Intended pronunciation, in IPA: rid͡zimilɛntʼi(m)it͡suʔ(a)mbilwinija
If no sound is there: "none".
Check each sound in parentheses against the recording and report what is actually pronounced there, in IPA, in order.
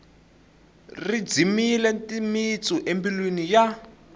m, e

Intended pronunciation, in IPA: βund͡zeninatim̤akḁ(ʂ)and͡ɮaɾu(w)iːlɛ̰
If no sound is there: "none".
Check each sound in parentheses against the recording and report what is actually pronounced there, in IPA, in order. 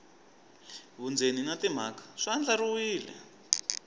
ʂ, w

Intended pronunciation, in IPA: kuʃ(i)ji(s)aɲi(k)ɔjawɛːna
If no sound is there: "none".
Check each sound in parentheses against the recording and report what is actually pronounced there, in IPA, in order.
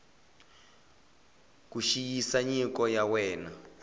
i, s, k

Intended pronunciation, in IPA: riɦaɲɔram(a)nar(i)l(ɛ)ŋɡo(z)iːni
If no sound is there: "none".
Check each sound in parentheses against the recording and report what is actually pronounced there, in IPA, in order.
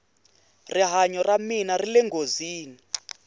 i, i, ɛ, z

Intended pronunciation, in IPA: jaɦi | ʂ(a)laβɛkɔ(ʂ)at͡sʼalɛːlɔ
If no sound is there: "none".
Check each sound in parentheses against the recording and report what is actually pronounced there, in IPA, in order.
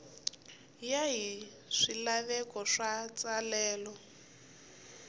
i, ʂ

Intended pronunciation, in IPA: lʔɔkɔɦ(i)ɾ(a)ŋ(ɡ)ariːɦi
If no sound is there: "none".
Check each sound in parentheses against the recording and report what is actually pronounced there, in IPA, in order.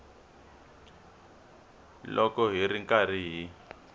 i, i, k

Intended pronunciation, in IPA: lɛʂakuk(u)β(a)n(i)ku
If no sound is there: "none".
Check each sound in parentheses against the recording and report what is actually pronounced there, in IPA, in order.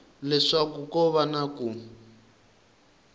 ɔ, a, a

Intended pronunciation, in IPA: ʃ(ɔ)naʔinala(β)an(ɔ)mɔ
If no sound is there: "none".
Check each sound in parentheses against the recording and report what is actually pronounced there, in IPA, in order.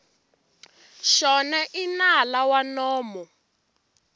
ɔ, w, ɔː

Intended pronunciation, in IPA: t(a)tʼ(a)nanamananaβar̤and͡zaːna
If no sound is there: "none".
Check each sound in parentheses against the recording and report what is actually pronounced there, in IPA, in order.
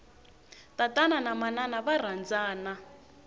a, a

